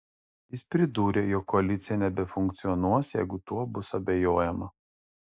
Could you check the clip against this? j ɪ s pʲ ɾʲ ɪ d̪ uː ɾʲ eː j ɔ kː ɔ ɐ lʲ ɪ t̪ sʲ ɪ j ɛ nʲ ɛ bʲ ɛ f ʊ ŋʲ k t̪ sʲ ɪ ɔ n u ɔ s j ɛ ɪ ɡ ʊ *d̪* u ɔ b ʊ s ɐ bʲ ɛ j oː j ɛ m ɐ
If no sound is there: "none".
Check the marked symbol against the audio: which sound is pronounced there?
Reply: t̪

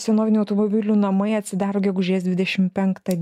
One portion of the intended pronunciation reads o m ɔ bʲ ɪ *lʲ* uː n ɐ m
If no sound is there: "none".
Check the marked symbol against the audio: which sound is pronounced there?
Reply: lʲ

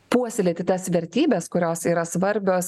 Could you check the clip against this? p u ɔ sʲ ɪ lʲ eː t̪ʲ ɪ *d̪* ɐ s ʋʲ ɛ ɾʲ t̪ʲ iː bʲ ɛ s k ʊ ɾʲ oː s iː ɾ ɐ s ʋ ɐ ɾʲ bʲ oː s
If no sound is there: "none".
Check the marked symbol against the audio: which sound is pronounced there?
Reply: t̪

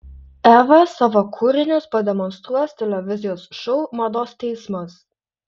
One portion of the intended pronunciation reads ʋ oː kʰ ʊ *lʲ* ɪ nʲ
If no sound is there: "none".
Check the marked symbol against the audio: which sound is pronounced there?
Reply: ɾʲ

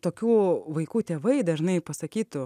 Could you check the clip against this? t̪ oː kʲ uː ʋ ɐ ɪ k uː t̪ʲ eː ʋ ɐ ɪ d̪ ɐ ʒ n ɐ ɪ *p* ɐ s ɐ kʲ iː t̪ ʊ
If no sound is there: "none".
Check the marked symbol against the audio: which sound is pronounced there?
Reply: p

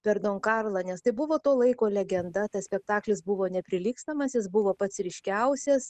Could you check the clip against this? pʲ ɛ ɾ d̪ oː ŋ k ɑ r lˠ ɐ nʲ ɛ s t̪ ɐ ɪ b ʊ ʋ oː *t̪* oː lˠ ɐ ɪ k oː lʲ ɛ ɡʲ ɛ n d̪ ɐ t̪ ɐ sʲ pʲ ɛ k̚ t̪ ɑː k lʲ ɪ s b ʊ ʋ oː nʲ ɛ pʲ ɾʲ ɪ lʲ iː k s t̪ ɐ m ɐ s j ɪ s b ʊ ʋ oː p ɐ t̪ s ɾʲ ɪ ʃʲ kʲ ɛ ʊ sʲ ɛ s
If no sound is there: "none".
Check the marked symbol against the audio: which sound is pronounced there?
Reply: t̪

